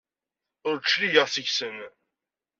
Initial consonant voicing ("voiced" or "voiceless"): voiced